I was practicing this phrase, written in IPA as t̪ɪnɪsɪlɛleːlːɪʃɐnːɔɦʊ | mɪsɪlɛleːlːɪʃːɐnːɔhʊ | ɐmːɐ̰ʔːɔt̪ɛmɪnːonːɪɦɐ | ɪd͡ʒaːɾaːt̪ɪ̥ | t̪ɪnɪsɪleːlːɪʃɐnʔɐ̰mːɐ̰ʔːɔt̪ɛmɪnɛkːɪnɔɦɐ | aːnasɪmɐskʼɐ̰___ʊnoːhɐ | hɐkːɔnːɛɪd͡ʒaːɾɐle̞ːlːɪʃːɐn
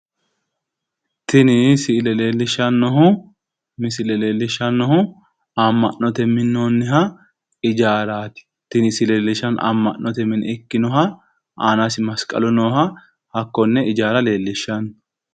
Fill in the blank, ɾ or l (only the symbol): l